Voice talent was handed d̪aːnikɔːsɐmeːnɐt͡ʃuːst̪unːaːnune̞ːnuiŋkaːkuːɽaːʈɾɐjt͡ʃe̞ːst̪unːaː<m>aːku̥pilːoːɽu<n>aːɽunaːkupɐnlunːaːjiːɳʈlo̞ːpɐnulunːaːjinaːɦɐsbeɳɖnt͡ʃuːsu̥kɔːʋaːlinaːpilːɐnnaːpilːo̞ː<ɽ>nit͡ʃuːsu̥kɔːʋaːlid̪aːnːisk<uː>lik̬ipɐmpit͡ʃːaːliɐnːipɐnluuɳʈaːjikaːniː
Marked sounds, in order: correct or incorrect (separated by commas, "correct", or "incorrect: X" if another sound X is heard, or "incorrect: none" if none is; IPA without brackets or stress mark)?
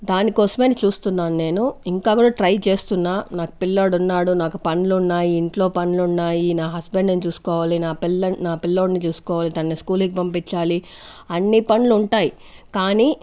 incorrect: n, incorrect: nː, correct, correct